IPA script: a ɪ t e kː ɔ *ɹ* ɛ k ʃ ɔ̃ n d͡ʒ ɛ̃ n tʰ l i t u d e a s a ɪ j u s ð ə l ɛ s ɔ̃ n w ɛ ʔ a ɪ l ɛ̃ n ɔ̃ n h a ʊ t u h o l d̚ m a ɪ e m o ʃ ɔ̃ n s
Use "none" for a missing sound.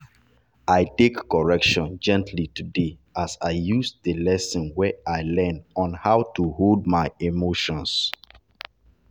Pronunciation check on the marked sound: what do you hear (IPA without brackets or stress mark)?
ɹ